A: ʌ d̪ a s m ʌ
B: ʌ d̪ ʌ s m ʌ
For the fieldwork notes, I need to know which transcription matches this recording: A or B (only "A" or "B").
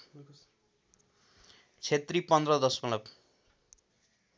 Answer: B